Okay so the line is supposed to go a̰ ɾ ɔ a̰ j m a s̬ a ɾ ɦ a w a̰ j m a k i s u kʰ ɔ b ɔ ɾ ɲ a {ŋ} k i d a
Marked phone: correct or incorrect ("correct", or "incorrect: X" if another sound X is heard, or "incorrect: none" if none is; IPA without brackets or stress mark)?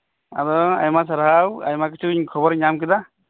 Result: incorrect: m